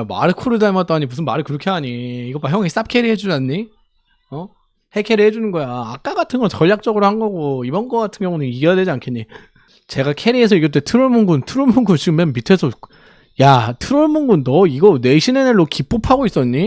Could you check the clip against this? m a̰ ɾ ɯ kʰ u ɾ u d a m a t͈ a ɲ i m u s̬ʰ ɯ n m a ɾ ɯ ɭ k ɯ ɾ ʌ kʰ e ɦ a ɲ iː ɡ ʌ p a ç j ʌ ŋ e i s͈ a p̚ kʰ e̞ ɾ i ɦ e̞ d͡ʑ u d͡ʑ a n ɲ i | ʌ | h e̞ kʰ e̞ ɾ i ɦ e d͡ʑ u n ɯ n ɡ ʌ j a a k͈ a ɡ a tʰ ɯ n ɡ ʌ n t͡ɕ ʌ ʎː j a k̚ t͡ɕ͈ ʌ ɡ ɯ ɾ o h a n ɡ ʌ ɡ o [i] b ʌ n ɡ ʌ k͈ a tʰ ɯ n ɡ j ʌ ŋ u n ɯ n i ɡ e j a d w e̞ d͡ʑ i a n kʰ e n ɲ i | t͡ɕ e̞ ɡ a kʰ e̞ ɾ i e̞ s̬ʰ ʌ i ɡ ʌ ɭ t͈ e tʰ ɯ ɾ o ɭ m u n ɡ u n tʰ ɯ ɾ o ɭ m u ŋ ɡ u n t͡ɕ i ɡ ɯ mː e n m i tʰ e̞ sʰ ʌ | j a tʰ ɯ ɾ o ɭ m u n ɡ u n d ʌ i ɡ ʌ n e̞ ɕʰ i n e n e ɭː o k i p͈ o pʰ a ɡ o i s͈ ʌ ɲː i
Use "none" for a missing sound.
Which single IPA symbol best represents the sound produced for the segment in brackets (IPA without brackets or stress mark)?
i